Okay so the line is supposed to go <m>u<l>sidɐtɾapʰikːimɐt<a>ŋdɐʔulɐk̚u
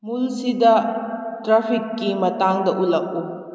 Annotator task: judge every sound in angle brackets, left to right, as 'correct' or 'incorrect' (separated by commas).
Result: correct, correct, correct